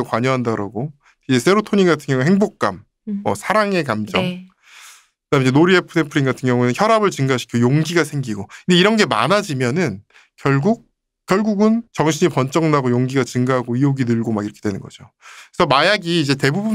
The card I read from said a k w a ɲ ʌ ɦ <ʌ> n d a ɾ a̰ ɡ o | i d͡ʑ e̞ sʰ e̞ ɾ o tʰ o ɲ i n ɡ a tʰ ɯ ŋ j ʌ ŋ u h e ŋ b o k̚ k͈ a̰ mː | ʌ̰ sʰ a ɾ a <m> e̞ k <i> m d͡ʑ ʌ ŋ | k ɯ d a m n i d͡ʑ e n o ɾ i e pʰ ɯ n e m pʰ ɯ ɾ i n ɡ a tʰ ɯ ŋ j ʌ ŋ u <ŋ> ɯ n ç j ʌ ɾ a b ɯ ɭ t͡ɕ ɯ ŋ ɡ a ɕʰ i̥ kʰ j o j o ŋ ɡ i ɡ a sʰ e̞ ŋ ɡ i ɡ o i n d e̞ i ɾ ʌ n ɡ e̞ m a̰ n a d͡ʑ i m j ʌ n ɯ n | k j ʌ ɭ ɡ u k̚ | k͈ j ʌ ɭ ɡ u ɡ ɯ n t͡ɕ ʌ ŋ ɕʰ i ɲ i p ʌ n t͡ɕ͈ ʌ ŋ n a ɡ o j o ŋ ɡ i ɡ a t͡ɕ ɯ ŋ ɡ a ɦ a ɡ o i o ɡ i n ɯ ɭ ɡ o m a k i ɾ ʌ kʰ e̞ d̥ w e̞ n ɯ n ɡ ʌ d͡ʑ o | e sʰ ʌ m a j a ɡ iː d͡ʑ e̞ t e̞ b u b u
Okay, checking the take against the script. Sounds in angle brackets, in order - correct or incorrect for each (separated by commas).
incorrect, incorrect, incorrect, incorrect